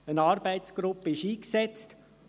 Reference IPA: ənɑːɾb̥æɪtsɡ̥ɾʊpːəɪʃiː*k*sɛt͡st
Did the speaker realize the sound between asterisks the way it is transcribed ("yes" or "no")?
yes